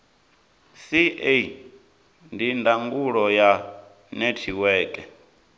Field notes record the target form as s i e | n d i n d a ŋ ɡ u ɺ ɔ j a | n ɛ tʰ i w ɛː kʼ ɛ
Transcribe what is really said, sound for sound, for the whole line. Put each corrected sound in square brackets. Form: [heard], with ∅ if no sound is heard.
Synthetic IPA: s i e | n d i n d a ŋ ɡ u ɺ ɔ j a | n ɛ tʰ i w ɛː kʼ ɛ